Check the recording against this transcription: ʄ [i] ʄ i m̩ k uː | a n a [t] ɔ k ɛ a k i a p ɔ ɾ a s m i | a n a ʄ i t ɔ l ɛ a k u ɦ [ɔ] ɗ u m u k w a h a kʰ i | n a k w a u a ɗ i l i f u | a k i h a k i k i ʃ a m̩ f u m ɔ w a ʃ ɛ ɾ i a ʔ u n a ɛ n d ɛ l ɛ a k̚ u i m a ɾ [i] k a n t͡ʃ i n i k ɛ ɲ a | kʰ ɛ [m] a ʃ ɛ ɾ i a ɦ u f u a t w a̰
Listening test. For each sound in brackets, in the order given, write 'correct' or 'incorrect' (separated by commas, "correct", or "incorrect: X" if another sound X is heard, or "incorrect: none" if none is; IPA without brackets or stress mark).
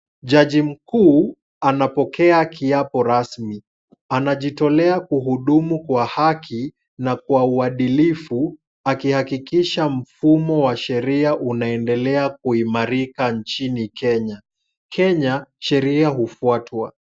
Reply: incorrect: a, incorrect: p, incorrect: u, correct, incorrect: ɲ